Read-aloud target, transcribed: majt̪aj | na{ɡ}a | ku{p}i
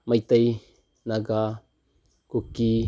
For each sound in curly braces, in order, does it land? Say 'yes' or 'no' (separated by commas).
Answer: yes, no